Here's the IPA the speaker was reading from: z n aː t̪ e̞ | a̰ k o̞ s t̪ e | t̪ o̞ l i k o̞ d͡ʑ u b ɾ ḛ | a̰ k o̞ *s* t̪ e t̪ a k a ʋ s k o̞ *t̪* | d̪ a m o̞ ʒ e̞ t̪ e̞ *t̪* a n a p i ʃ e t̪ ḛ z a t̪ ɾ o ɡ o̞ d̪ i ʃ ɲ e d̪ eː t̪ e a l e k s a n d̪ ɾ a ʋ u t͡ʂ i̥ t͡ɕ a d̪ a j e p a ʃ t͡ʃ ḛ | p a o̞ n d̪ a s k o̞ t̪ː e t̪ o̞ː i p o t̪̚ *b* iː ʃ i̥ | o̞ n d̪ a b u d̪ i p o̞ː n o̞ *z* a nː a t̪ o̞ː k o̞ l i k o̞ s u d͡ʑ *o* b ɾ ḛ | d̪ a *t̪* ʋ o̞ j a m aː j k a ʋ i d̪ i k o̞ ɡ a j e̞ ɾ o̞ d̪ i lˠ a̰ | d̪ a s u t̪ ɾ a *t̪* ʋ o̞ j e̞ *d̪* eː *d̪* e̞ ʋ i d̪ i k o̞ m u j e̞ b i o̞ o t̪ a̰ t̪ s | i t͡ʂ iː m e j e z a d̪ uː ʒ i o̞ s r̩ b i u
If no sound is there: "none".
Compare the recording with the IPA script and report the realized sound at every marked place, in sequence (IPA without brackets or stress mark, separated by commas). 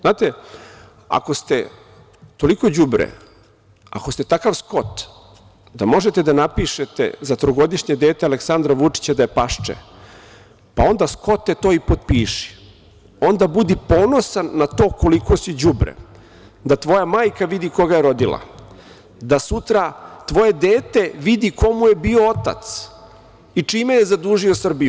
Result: s, t̪, d̪, p, s, u, t̪, t̪, d̪, t̪